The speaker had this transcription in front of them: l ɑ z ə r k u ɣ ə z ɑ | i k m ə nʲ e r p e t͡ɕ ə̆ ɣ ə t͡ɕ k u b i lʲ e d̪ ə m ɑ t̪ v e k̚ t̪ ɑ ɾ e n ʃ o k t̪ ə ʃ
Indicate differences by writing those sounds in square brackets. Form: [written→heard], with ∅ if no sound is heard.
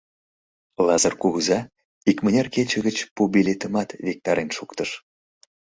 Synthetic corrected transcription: l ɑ z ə r k u ɣ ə z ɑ | i k m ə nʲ e r [p→k] e t͡ɕ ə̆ ɣ ə t͡ɕ [k→p] u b i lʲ e [d̪→t̪] ə m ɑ t̪ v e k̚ t̪ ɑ ɾ e n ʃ [o→u] k t̪ ə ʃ